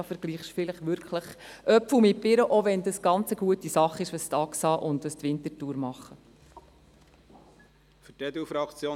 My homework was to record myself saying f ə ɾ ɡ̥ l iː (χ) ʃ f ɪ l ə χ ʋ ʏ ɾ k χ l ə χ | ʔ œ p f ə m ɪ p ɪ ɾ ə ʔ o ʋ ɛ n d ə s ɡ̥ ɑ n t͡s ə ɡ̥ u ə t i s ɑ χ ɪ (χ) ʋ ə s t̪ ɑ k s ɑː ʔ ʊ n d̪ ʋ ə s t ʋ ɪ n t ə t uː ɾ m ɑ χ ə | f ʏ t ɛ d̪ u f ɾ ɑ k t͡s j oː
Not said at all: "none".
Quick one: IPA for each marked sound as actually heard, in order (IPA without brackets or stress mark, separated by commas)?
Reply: χ, ʃ